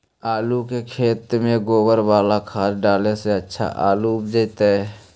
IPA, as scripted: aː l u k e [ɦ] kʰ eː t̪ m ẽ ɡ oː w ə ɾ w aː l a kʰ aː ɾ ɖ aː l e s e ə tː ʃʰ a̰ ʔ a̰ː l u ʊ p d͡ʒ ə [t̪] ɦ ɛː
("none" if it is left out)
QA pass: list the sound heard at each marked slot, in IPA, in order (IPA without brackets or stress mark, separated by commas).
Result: none, t̪